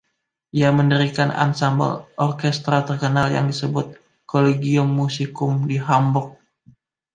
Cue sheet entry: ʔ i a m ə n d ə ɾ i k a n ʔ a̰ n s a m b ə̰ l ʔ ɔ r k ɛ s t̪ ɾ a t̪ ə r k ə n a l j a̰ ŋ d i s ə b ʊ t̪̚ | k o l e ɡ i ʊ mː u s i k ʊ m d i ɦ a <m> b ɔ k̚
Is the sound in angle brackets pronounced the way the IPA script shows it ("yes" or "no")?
yes